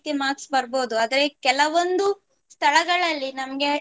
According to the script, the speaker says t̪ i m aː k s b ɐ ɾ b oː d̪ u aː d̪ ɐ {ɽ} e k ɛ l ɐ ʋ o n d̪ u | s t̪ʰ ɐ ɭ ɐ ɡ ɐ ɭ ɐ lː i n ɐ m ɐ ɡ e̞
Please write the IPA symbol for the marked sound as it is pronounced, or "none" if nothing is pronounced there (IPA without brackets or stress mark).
ɾ